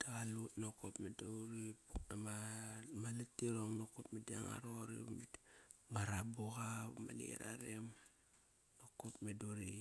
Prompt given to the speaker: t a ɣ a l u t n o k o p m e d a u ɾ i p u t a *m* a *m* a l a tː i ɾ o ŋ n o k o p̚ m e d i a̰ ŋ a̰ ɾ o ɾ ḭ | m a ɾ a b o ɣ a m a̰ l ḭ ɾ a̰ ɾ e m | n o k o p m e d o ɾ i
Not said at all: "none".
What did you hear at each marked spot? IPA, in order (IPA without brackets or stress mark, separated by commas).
m, m